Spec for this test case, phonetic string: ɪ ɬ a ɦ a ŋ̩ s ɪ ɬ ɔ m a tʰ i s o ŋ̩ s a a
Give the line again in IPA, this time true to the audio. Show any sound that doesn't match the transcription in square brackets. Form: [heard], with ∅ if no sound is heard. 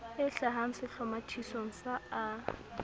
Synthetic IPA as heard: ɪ ɬ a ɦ a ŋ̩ s ɪ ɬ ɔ m a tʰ i s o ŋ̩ s a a